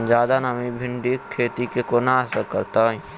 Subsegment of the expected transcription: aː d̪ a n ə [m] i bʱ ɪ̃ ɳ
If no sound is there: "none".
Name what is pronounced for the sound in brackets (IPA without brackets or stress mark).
m